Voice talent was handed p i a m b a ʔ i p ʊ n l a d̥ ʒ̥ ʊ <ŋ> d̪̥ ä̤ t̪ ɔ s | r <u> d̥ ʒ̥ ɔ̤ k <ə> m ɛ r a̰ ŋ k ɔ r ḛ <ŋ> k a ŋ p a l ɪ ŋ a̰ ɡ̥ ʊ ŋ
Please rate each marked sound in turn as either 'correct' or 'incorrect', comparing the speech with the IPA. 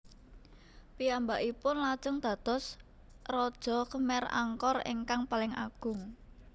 correct, incorrect: ɔ, correct, correct

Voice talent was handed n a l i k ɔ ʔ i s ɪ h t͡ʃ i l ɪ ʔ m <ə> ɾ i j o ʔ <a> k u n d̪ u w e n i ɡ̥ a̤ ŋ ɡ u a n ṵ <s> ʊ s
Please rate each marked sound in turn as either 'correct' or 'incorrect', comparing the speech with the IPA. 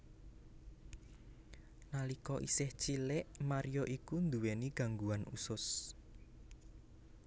incorrect: a, incorrect: i, correct

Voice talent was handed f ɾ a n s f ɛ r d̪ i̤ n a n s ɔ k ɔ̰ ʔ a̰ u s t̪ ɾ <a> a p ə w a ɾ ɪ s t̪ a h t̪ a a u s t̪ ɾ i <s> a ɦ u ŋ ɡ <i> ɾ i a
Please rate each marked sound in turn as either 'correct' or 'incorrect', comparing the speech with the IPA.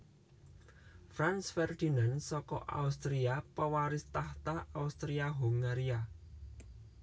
incorrect: i, incorrect: none, incorrect: a

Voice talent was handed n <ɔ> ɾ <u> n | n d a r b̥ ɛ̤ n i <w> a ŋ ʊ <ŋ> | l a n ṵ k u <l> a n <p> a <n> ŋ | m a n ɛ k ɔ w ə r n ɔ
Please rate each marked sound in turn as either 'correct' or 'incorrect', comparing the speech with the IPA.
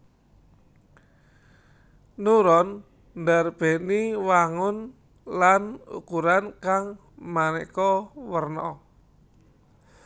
incorrect: u, incorrect: ɔ, correct, incorrect: n, incorrect: ɾ, incorrect: k, incorrect: none

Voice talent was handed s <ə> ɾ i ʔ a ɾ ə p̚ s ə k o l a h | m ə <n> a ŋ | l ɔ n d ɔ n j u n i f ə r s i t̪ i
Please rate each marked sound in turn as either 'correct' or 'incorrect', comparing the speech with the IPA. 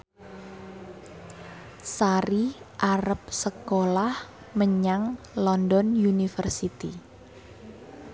incorrect: a, incorrect: ɲ

